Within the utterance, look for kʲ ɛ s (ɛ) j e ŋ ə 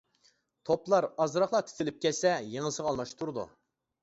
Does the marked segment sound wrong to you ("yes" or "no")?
no